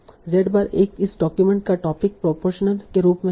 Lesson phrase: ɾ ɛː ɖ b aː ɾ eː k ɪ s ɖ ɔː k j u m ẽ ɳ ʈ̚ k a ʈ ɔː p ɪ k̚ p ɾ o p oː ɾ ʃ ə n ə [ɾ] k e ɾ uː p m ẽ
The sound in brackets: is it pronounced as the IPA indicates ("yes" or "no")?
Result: no